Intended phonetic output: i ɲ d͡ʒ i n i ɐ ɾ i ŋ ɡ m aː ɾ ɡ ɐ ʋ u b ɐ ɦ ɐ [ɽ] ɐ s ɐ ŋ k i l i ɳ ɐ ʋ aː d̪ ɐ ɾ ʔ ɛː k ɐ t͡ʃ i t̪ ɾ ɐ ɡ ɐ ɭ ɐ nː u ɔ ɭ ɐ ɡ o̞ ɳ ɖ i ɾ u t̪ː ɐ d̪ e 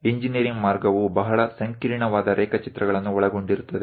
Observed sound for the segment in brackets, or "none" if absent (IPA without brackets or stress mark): ɭ